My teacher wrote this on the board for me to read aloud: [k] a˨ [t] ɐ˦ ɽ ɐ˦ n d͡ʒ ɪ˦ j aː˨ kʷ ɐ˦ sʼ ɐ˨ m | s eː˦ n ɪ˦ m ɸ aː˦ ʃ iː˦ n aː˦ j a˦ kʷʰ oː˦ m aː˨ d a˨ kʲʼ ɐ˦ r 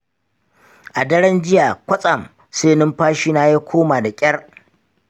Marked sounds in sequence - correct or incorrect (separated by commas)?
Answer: incorrect, incorrect